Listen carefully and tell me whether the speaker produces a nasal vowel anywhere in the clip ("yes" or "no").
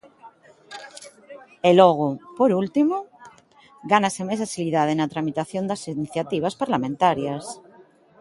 yes